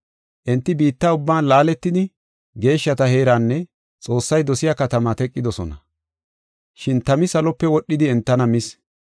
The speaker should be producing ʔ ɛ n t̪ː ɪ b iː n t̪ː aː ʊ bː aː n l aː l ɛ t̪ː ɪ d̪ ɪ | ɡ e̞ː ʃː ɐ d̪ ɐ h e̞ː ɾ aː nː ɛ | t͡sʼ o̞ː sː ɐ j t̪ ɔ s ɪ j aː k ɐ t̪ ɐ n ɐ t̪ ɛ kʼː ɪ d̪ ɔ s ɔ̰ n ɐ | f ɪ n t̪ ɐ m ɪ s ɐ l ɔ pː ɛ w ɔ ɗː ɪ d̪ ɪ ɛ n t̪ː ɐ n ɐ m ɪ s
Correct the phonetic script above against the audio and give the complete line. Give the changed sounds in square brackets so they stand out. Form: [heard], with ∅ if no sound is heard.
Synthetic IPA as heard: ʔ ɛ n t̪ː ɪ b iː [∅] t̪ː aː ʊ bː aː n l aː l ɛ t̪ː ɪ d̪ ɪ | ɡ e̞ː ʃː ɐ [t̪] ɐ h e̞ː ɾ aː nː ɛ | t͡sʼ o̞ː sː ɐ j [d̪] ɔ s ɪ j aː k ɐ t̪ ɐ [m] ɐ t̪ ɛ kʼː ɪ d̪ ɔ s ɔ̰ n ɐ | [ʃ] ɪ n t̪ ɐ m ɪ s ɐ l ɔ pː ɛ w ɔ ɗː ɪ d̪ ɪ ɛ n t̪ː ɐ n ɐ m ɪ s

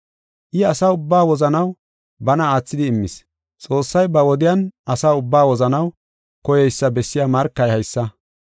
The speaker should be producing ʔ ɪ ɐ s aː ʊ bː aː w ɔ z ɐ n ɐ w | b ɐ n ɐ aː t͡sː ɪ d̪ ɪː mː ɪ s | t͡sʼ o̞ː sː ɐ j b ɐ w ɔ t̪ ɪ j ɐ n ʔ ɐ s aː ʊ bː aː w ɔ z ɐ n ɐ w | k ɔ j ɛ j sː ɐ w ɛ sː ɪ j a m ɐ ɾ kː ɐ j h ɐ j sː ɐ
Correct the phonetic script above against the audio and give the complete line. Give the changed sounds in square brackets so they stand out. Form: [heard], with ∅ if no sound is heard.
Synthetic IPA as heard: ʔ ɪ ɐ s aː ʊ bː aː w ɔ z ɐ n ɐ w | b ɐ n ɐ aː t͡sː ɪ d̪ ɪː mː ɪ s | t͡sʼ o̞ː sː ɐ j b ɐ w ɔ [d̪] ɪ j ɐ n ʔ ɐ s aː ʊ bː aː w ɔ z ɐ n ɐ w | k ɔ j ɛ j sː ɐ [b] ɛ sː ɪ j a m ɐ ɾ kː ɐ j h ɐ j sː ɐ

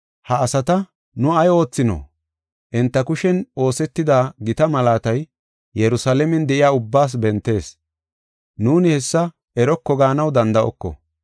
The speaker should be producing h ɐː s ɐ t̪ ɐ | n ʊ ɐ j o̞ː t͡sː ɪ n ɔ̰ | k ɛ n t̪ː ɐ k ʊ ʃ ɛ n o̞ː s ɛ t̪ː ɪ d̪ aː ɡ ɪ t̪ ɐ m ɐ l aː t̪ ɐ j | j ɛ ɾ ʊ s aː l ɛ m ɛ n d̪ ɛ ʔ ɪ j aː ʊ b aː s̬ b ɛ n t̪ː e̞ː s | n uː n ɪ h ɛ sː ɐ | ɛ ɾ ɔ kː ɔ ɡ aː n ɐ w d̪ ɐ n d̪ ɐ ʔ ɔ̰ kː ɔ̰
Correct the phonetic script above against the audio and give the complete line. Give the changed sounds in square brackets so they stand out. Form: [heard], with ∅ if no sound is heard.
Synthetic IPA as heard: h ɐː s ɐ t̪ ɐ | n ʊ ɐ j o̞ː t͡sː ɪ n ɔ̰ | [ʔ] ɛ n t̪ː ɐ k ʊ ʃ ɛ n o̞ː s ɛ t̪ː ɪ d̪ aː ɡ ɪ t̪ ɐ m ɐ l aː t̪ ɐ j | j ɛ ɾ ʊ s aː l ɛ m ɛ n d̪ ɛ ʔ ɪ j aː ʊ [bː] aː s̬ b ɛ n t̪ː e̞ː s | n uː n ɪ h ɛ sː ɐ | ɛ ɾ ɔ kː ɔ ɡ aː n ɐ w d̪ ɐ n d̪ ɐ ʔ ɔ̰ kː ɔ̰

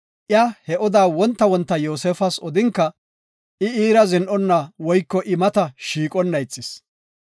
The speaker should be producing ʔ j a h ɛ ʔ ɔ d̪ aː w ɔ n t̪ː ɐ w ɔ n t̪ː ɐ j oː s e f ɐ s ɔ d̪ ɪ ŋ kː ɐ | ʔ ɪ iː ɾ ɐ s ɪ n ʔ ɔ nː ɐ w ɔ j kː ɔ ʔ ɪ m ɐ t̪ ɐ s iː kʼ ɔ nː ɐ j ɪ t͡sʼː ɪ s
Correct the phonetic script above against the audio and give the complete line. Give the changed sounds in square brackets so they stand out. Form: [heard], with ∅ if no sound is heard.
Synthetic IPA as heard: ʔ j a h ɛ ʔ ɔ d̪ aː w ɔ n t̪ː ɐ w ɔ n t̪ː ɐ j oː s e f ɐ s ɔ d̪ ɪ ŋ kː ɐ | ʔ ɪ iː ɾ ɐ [z] ɪ n ʔ ɔ nː ɐ w ɔ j kː ɔ ʔ ɪ m ɐ t̪ ɐ [ʃ] iː kʼ ɔ nː ɐ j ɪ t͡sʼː ɪ s

